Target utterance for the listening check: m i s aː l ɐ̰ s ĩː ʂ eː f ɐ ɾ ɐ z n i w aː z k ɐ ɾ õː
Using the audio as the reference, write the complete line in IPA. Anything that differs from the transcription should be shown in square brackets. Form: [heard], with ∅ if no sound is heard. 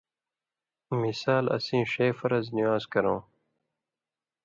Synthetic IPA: m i s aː l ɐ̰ s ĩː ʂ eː f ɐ ɾ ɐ z n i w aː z k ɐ ɾ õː